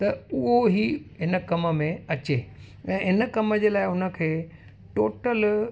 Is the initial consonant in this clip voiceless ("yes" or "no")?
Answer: yes